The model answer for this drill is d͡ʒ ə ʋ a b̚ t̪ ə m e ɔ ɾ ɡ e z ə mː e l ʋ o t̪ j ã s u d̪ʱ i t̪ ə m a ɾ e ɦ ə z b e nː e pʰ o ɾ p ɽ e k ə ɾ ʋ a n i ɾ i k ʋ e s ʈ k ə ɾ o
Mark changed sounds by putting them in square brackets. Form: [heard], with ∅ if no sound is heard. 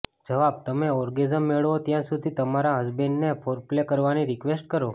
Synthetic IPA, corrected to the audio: d͡ʒ ə ʋ a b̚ t̪ ə m e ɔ ɾ ɡ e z ə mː e [ɭ] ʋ o t̪ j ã s u d̪ʱ i t̪ ə m a ɾ [a] ɦ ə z b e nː e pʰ o ɾ p [l] e k ə ɾ ʋ a n i ɾ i k ʋ e s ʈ k ə ɾ o